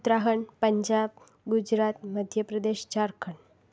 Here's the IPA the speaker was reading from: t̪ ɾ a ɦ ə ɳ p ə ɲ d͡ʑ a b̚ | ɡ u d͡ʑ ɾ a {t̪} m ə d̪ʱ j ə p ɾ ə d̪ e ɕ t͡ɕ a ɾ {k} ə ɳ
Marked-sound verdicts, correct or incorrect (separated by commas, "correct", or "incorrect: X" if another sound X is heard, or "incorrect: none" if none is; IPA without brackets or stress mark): correct, incorrect: kʰ